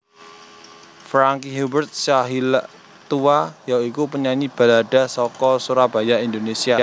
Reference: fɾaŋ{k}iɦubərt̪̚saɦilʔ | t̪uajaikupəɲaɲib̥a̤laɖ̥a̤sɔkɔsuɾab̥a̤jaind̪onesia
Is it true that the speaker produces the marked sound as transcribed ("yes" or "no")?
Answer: yes